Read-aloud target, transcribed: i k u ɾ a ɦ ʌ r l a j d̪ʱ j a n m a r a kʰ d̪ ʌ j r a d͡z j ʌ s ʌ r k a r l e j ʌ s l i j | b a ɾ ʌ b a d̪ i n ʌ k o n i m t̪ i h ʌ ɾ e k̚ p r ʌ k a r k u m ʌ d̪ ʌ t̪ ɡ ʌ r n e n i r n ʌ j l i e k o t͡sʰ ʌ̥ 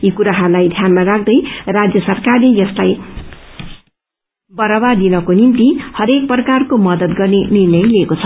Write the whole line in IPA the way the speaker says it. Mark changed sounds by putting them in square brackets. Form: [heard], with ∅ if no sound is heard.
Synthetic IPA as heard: i k u ɾ a ɦ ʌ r l a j d̪ʱ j a n m a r a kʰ d̪ ʌ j r a d͡z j ʌ s ʌ r k a r l e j ʌ s l [a] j | b [ʌ] ɾ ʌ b a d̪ i n ʌ k o n i m t̪ i h ʌ ɾ e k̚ p r ʌ k a r k [o] m ʌ d̪ ʌ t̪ ɡ ʌ r n e n i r n ʌ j l i e k o t͡sʰ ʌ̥